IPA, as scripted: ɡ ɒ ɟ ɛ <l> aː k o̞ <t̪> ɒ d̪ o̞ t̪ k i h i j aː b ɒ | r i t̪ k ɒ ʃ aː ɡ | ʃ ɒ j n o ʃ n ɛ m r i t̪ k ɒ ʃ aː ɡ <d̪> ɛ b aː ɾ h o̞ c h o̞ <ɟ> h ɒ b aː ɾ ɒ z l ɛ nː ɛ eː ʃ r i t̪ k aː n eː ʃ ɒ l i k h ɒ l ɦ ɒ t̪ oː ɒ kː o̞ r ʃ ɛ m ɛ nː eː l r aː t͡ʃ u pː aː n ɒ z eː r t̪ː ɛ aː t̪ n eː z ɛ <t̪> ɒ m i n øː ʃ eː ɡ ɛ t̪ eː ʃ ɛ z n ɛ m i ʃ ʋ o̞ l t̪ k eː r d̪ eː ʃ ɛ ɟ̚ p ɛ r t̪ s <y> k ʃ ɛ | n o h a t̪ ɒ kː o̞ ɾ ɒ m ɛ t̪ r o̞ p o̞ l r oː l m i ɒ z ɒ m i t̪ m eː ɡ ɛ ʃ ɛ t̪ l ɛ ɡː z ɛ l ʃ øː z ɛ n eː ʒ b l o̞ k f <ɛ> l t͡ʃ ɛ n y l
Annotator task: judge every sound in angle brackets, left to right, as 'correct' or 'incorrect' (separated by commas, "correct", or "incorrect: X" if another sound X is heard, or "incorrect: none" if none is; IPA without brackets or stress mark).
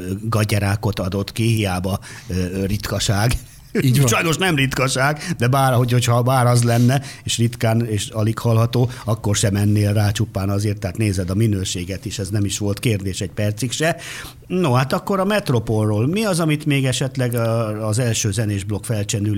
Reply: incorrect: ɾ, correct, correct, incorrect: c, incorrect: d̪, incorrect: i, correct